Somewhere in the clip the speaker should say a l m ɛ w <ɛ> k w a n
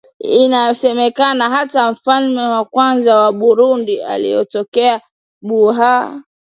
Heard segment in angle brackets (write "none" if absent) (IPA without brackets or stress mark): a